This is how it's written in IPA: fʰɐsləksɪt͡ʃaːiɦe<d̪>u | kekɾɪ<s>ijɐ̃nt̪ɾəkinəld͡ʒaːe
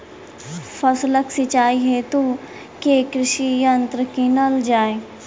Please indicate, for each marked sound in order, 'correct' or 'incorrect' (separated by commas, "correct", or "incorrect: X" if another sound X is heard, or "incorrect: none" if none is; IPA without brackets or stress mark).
incorrect: t̪, incorrect: ʃ